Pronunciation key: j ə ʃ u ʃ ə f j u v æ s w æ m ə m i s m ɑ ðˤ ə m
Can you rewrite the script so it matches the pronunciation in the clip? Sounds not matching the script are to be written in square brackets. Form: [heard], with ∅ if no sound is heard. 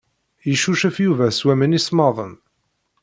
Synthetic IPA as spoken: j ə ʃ u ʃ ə f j u v æ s w æ m ə [n] i s m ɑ ðˤ ə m